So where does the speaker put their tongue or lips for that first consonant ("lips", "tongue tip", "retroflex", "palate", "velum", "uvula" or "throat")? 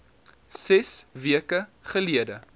tongue tip